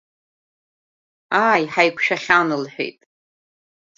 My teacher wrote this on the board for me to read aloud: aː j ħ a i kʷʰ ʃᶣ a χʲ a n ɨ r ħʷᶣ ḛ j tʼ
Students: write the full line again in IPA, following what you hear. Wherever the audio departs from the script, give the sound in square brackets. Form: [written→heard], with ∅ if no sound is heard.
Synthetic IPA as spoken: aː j ħ a [i→j] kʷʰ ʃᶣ a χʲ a n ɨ [r→l] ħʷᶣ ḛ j tʼ